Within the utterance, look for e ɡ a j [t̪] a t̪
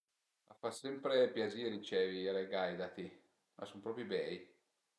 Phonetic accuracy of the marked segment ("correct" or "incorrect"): incorrect